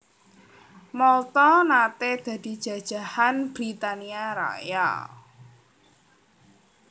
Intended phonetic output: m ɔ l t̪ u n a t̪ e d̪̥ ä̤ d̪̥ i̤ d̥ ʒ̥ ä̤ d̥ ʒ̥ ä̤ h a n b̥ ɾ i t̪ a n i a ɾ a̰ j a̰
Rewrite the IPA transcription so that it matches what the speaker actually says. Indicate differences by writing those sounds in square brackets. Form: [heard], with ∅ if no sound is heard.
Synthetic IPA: m ɔ l t̪ [ɔ] n a t̪ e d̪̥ ä̤ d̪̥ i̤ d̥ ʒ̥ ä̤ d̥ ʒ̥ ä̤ h a n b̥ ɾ i t̪ a n i a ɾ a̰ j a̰

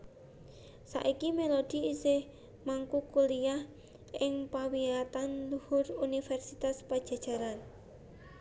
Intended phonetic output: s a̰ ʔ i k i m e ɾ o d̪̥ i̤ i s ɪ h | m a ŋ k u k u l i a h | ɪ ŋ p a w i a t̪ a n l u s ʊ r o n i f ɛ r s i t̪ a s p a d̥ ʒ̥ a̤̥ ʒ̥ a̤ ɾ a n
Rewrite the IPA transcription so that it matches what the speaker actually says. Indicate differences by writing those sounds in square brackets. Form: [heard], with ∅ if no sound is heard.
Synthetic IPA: s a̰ ʔ i k i m e [l] o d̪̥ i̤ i s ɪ h | m a ŋ k u k u l i a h | ɪ ŋ p a w i a t̪ a n l u [h] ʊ r [u] n i f ɛ r s i t̪ a s p a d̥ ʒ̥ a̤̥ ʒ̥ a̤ ɾ a n

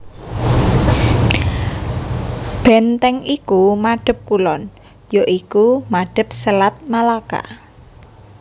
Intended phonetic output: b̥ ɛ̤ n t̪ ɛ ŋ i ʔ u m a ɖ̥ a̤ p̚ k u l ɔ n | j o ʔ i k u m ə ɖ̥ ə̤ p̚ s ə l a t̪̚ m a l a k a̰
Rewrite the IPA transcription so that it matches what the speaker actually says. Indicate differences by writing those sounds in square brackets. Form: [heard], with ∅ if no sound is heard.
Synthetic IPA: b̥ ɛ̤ n t̪ ɛ ŋ i [k] u m a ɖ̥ [ə̤] p̚ k u l ɔ n | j o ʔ i k u m [a] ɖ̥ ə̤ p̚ s ə l a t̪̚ m a l a k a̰

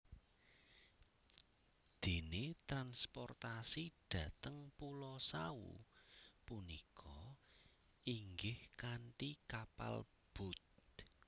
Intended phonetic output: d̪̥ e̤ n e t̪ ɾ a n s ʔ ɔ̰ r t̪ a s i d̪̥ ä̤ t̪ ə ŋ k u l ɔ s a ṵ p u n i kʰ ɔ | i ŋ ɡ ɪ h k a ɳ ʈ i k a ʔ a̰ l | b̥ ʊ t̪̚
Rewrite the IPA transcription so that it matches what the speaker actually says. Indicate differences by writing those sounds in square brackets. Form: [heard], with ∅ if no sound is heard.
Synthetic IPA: d̪̥ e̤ n e t̪ ɾ a n s [p] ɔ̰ r t̪ a s i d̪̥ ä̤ t̪ ə ŋ [p] u l ɔ s a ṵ p u n i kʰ ɔ | i ŋ ɡ ɪ h k a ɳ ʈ i k a [p] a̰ l | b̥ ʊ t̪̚

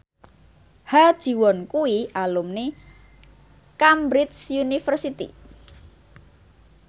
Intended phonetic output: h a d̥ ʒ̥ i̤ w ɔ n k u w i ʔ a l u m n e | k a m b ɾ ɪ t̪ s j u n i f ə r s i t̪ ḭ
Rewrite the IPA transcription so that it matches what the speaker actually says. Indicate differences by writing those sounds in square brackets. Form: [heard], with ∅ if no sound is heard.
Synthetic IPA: h a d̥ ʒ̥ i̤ w ɔ n k u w i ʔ a l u m n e | k a m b ɾ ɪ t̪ s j u n i f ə r s i t̪ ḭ

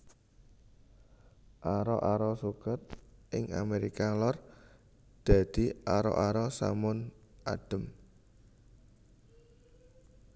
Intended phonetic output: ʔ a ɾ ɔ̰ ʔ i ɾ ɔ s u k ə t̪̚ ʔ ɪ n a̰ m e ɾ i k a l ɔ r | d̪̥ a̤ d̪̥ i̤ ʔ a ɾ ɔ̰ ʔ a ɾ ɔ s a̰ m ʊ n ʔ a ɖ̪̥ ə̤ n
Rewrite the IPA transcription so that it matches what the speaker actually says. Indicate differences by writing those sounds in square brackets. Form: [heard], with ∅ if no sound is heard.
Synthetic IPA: ʔ a ɾ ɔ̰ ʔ [a] ɾ ɔ s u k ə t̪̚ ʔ ɪ [ŋ] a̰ m e ɾ i k a l ɔ r | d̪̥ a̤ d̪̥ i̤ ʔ a ɾ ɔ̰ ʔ a ɾ ɔ s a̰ m ʊ n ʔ a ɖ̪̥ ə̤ [m]

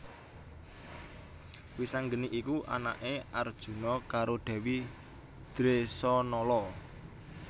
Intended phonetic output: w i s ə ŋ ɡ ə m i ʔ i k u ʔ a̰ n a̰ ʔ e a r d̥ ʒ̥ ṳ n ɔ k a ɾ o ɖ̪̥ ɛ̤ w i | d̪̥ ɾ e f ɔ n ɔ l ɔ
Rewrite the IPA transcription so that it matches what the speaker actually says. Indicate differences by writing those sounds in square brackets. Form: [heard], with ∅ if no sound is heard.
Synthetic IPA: w i s [a] ŋ ɡ ə [n] i ʔ i k u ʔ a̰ n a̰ ʔ e a r d̥ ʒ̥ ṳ n ɔ k a ɾ o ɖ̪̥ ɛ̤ w i | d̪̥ ɾ e [s] ɔ n ɔ l ɔ

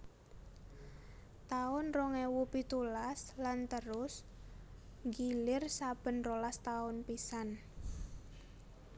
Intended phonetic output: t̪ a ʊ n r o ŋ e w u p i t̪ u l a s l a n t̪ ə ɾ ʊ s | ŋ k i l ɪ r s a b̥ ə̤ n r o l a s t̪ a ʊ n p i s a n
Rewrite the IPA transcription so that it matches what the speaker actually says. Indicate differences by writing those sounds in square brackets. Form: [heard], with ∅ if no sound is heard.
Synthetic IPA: t̪ a ʊ n r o ŋ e w u p i t̪ u l a s l a n t̪ ə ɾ ʊ s | ŋ [ɡ] i l ɪ r s a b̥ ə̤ n r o l a s t̪ a ʊ n p i s a n

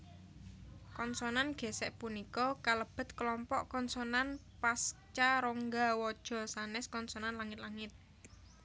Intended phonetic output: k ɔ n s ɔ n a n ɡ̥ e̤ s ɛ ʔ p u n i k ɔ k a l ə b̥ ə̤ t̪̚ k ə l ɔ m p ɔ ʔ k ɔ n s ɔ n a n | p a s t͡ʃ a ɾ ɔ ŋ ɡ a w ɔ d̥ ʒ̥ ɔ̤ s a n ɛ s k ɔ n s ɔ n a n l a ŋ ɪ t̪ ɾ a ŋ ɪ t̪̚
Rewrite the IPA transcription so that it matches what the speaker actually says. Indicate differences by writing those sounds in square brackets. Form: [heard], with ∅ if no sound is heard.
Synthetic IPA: k ɔ n s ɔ n a n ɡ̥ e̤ s ɛ ʔ p u n i k ɔ k a l ə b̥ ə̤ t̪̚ k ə l ɔ m p ɔ ʔ k ɔ n s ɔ n a n | p a s t͡ʃ a ɾ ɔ ŋ ɡ a w ɔ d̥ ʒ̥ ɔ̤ s a n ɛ s k ɔ n s ɔ n a n l a ŋ ɪ t̪ [l] a ŋ ɪ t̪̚

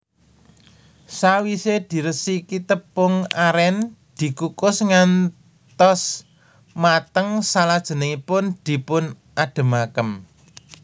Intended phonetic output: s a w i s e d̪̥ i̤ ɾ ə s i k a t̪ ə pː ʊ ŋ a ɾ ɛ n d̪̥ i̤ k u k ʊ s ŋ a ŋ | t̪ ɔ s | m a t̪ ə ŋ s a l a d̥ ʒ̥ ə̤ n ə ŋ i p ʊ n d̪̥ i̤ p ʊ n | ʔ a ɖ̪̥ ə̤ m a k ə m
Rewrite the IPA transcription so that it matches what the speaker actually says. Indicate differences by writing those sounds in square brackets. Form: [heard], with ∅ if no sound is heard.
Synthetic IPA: s a w i s e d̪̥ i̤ ɾ ə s i k [i] t̪ ə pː ʊ ŋ a ɾ ɛ n d̪̥ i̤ k u k ʊ s ŋ a [n] | t̪ ɔ s | m a t̪ ə ŋ s a l a d̥ ʒ̥ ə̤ n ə ŋ i p ʊ n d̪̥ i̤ p ʊ n | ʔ a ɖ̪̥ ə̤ m a k ə m

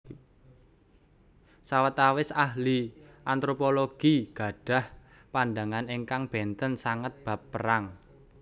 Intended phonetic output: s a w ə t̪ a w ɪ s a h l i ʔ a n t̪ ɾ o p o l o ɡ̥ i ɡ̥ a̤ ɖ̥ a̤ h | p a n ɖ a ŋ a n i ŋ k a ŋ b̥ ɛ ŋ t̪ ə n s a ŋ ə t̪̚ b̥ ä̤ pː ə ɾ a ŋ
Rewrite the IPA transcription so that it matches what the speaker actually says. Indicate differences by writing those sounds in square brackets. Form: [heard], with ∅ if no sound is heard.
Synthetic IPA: s a w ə t̪ a w ɪ s a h l i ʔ a n t̪ ɾ o p o l o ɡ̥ i ɡ̥ a̤ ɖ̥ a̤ h | p a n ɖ a ŋ a n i ŋ k a ŋ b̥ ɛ [n] t̪ ə n s a ŋ ə t̪̚ b̥ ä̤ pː ə ɾ a ŋ

